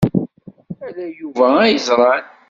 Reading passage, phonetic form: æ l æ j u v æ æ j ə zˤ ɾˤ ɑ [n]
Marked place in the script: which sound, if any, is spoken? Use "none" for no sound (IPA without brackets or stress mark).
n